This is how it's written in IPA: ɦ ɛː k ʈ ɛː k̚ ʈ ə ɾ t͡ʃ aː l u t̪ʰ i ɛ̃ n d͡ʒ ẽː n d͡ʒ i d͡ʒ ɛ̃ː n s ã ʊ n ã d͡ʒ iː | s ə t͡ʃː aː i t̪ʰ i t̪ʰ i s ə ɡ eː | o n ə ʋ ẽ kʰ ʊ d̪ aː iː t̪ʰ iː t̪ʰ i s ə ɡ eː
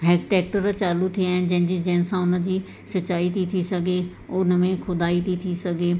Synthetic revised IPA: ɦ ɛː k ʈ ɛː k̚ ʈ ə ɾ t͡ʃ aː l u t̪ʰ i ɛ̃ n d͡ʒ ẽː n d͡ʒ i d͡ʒ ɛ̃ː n s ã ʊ n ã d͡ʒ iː | s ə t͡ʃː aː i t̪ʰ i t̪ʰ i s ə ɡ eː | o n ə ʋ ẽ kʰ ʊ d̪ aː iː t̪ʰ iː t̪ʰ i s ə ɡ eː